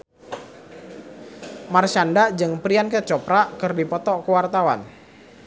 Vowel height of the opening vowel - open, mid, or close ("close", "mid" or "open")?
open